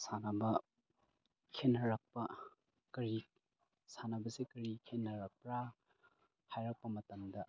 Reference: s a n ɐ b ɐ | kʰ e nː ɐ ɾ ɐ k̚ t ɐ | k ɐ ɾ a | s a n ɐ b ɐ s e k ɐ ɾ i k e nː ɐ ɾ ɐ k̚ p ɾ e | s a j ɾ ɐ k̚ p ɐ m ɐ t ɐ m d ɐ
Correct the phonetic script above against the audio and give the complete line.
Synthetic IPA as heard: s a n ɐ b ɐ | kʰ e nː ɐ ɾ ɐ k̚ p ɐ | k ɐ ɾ i | s a n ɐ b ɐ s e k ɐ ɾ i kʰ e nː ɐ ɾ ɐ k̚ p ɾ a | h a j ɾ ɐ k̚ p ɐ m ɐ t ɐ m d ɐ